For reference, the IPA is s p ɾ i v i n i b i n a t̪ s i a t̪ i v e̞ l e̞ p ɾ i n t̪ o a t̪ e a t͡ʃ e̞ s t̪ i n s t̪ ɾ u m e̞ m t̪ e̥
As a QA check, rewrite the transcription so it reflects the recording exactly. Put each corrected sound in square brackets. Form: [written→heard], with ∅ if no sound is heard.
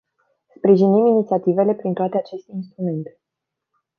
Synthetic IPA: s p ɾ i [v→ʒ] i n i [b→m] i n [a→i] t̪ s i a t̪ i v e̞ l e̞ p ɾ i n t̪ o a t̪ e a t͡ʃ e̞ s t̪ i n s t̪ ɾ u m e̞ [m→n] t̪ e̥